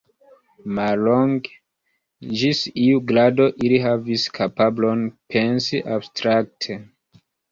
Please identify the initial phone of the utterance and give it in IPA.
m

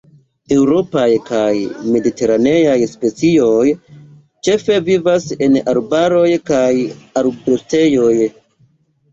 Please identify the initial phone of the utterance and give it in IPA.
e̞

